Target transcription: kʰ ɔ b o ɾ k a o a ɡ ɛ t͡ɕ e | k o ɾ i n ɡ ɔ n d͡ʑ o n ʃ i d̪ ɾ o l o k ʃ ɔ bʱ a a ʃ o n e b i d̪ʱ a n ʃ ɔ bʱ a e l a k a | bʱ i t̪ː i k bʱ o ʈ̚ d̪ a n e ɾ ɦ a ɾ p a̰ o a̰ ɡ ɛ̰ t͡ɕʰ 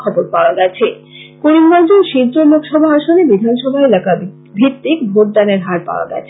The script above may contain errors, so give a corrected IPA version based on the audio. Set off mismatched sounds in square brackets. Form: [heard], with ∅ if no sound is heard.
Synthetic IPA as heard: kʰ ɔ b o ɾ [p] a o a ɡ ɛ [t͡ɕʰ] e | k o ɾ i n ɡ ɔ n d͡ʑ o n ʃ i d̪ ɾ o l o k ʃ ɔ bʱ a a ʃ o n e b i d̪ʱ a n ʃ ɔ bʱ a e l a k a | bʱ i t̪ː i k bʱ o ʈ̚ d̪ a n e ɾ ɦ a ɾ p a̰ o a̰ ɡ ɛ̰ t͡ɕʰ

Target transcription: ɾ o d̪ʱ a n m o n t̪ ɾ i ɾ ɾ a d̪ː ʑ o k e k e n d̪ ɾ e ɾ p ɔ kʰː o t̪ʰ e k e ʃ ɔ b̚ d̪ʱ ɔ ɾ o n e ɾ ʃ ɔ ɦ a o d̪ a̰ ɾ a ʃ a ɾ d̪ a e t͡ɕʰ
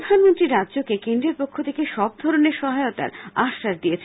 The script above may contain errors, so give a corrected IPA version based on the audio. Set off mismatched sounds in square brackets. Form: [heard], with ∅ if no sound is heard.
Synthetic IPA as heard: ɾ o d̪ʱ a n m o n t̪ ɾ i ɾ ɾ a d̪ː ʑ o k e k e n d̪ ɾ e ɾ p [o] kʰː o t̪ʰ e k e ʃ ɔ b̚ d̪ʱ ɔ ɾ o n e ɾ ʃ ɔ ɦ a o [t̪] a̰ ɾ a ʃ a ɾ d̪ [i] e t͡ɕʰ

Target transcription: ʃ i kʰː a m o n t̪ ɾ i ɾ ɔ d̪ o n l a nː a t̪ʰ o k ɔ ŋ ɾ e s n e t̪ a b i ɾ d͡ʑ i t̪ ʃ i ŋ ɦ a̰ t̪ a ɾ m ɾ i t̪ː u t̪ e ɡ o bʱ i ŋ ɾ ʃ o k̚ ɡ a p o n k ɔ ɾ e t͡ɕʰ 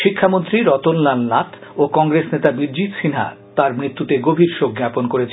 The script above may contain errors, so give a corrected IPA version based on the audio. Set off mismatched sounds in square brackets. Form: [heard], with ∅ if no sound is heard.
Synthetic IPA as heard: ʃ i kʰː a m o n t̪ ɾ i ɾ ɔ [t̪] o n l a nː a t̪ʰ o k ɔ ŋ ɾ e s n e t̪ a b i ɾ d͡ʑ i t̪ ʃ i [n] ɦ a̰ t̪ a ɾ m ɾ i t̪ː u t̪ e ɡ o bʱ i [∅] ɾ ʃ o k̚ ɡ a p o n k [o] ɾ e t͡ɕʰ

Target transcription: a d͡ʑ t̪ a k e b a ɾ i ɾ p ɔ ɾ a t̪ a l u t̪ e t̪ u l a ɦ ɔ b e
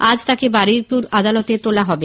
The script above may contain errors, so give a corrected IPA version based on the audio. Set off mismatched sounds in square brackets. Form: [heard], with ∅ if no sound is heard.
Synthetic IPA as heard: a d͡ʑ t̪ a k e b a ɾ i ɾ p [u] ɾ a [d̪] a l [o] t̪ e t̪ [o] l a ɦ ɔ b e

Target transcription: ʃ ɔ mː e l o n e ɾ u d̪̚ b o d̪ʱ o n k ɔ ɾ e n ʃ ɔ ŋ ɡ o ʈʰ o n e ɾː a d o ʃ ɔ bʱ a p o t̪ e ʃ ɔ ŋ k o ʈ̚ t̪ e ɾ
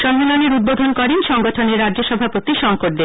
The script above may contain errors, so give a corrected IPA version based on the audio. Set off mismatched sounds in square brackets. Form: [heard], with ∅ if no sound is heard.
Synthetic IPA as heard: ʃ ɔ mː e l o n e ɾ u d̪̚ b o d̪ʱ o n k ɔ ɾ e n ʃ ɔ ŋ ɡ o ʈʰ o n e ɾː a d o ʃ ɔ bʱ a p o t̪ [i] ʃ ɔ ŋ k o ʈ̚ [d̪] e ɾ

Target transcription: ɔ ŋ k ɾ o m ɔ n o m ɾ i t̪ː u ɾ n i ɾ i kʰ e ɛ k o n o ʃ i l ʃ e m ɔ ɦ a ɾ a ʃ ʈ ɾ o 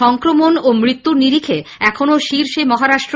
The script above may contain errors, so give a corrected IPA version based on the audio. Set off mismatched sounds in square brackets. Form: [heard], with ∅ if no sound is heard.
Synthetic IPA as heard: ɔ ŋ k ɾ o m [o] n o m ɾ i t̪ː u ɾ n i ɾ i kʰ e ɛ [kʰ] o n o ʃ i [ɾ] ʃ e m ɔ ɦ a ɾ a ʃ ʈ ɾ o

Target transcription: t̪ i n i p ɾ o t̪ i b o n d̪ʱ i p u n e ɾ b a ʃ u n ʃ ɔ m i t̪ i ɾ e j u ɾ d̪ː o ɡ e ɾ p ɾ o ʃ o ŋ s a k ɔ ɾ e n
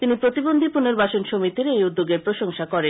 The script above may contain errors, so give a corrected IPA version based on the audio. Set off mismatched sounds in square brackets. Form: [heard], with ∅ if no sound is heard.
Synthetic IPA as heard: t̪ i n i p ɾ o t̪ i b o n d̪ʱ i p u n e ɾ b a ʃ [o] n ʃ [o] m i t̪ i ɾ e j u [∅] d̪ː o ɡ e ɾ p ɾ o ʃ o ŋ [ʃ] a k ɔ ɾ e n

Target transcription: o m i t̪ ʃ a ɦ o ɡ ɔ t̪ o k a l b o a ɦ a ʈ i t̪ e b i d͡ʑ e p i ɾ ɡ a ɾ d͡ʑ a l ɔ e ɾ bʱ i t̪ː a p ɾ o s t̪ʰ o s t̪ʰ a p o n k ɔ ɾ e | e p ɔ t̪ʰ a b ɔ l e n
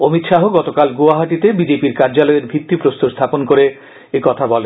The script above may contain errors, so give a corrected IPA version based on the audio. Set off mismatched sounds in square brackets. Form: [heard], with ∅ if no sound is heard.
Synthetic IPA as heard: o m i t̪ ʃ a ɦ o ɡ ɔ t̪ o k a l [ɡ] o a ɦ a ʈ i t̪ e b i d͡ʑ e p i ɾ [k] a ɾ d͡ʑ a l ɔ e ɾ bʱ i t̪ː [i] p ɾ o s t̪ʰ o s t̪ʰ a p o n k [o] ɾ e | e [k] ɔ t̪ʰ a b ɔ l e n

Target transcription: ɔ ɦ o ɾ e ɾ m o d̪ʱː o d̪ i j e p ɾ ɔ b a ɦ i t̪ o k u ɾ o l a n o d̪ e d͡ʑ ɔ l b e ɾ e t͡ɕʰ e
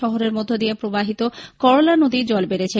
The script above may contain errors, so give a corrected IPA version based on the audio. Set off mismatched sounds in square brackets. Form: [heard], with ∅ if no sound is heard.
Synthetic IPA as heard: ɔ ɦ o ɾ e ɾ m o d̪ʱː o d̪ i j e p ɾ [o] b a ɦ i t̪ o k [ɔ] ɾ o l a n o d̪ [i] d͡ʑ ɔ l b e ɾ e t͡ɕʰ e

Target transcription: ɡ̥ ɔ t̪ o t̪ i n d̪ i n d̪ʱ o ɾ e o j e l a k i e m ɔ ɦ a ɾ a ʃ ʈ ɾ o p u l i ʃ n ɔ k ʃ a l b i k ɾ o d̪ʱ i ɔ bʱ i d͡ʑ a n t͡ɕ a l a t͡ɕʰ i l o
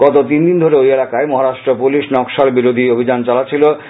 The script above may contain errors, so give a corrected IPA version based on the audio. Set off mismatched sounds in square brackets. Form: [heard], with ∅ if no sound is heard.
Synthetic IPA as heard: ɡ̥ ɔ t̪ o t̪ i n d̪ i n d̪ʱ o ɾ e o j e l a k [a] e m ɔ ɦ a ɾ a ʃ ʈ ɾ o p u l i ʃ n ɔ k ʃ a l b i [∅] ɾ o d̪ʱ i [o] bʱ i d͡ʑ a n t͡ɕ a l a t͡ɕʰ i l o

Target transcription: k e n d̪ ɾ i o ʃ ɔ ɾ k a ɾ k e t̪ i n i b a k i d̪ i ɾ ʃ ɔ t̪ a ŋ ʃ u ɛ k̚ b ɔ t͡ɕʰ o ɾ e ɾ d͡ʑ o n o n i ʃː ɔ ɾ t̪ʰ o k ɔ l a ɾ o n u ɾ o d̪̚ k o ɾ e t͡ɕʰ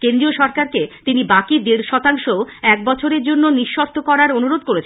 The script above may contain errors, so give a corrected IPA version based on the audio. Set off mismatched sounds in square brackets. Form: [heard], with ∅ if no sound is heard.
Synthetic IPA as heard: k e n d̪ ɾ i o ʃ ɔ ɾ k a ɾ k e t̪ i n i b a k i d̪ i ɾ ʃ ɔ t̪ a ŋ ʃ [o] ɛ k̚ b ɔ t͡ɕʰ o ɾ e ɾ d͡ʑ o [nː] o n i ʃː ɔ ɾ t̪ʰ o k ɔ [ɾ] a ɾ o n u ɾ o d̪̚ k o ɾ e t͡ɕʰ

